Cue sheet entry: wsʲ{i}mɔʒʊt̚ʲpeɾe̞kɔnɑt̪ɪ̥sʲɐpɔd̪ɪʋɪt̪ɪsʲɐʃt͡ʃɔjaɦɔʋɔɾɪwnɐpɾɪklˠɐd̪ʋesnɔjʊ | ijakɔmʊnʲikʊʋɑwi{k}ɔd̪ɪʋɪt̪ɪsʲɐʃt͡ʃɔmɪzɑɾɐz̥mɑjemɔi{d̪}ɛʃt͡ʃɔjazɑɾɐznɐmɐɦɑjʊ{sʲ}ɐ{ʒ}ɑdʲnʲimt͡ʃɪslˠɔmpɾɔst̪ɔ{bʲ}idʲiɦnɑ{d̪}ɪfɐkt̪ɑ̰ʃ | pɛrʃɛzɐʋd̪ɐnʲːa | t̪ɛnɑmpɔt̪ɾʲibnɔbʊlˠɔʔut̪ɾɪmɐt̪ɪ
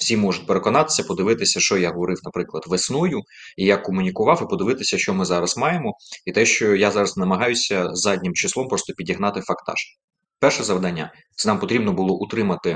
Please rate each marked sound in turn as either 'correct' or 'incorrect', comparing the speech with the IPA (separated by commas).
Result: correct, incorrect, incorrect, correct, incorrect, incorrect, incorrect